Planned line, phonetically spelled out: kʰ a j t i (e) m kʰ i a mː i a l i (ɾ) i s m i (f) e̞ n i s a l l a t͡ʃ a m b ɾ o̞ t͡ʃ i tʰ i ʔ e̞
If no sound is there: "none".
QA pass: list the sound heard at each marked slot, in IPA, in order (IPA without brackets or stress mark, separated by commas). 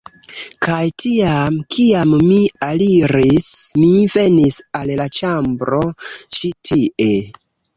a, ɾ, v